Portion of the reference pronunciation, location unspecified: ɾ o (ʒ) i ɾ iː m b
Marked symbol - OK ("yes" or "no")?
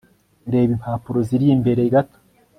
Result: no